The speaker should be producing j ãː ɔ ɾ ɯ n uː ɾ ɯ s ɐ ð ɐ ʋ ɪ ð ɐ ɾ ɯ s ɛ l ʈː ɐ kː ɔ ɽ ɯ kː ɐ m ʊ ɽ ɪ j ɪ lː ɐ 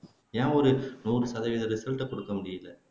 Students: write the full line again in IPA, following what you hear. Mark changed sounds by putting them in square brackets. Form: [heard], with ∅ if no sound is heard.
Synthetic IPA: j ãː ɔ ɾ ɯ n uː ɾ ɯ s ɐ ð ɐ ʋ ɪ ð ɐ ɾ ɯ s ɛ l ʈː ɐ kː ɔ ɽ ɯ kː ɐ m ʊ ɽ ɪ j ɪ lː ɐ